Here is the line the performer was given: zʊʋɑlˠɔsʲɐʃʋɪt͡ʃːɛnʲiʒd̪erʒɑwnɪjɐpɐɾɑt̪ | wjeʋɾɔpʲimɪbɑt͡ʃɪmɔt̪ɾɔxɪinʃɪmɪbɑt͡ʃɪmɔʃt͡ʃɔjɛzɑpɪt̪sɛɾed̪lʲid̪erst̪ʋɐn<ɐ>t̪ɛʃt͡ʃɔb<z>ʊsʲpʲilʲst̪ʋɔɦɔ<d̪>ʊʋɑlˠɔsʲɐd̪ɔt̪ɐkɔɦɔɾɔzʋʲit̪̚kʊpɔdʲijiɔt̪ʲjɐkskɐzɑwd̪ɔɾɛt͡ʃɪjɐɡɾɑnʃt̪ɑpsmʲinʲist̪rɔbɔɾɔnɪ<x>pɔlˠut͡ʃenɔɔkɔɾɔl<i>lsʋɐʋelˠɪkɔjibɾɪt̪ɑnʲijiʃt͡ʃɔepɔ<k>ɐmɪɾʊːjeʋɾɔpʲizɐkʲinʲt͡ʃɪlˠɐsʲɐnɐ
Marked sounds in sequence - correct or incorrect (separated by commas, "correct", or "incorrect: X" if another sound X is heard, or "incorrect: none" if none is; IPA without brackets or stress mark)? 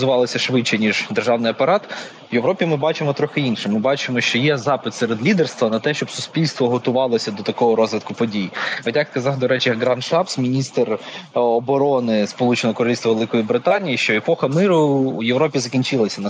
correct, incorrect: s, incorrect: t̪, incorrect: s, correct, incorrect: x